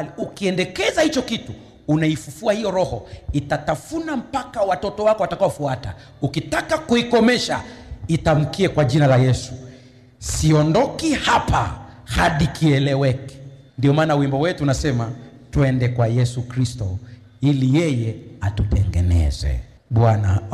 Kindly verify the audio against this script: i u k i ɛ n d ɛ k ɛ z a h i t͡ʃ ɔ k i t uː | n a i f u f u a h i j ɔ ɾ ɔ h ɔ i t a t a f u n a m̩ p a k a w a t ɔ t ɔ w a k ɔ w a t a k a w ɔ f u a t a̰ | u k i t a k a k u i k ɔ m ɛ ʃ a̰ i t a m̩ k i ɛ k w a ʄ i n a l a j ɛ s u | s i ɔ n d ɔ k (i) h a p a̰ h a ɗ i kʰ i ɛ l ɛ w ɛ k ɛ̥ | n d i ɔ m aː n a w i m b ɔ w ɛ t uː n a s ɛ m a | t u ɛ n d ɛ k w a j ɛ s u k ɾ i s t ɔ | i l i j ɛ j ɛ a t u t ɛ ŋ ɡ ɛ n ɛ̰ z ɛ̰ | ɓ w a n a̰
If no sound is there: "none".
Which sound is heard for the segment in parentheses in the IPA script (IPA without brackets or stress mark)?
i